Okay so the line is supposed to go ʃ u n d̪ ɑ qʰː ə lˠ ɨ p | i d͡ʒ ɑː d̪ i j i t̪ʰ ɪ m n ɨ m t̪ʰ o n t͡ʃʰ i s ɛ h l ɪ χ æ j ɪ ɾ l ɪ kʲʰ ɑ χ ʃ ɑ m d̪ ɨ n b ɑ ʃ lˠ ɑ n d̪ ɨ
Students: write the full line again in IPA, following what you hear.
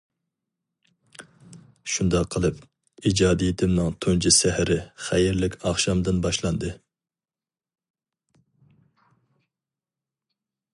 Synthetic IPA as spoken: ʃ u n d̪ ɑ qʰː ə lˠ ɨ p | i d͡ʒ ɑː d̪ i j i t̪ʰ ɪ m n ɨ ŋ t̪ʰ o n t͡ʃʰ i s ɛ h ɾ ɪ χ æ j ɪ ɾ l ɪ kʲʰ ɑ χ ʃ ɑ m d̪ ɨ n b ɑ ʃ lˠ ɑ n d̪ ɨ